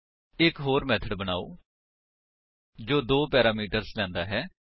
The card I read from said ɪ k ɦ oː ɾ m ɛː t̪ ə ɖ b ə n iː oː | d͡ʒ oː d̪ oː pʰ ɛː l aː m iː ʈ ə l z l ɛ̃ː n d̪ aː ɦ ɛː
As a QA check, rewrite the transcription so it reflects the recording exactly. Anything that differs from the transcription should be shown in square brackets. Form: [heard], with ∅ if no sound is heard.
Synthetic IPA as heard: ɪ k ɦ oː ɾ m ɛː [t̪ʰ] ə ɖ b ə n [aː] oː | d͡ʒ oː d̪ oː [p] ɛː [ɾ] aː m iː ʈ ə [ɾ] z l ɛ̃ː n d̪ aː ɦ ɛː